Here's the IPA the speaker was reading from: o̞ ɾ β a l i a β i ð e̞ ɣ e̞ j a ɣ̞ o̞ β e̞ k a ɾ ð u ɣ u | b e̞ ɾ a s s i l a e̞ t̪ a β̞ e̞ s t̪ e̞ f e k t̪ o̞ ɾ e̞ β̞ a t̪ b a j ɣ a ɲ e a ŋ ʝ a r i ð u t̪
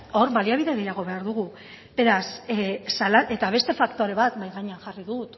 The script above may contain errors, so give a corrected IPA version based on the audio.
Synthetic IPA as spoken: o̞ ɾ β a l i a β i ð e̞ ɣ e̞ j a ɣ̞ o̞ β e̞ a ɾ ð u ɣ u | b e̞ ɾ a s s a l a e̞ t̪ a β̞ e̞ s t̪ e̞ f a k t̪ o̞ ɾ e̞ β̞ a t̪ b a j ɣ a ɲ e a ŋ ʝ a r i ð u t̪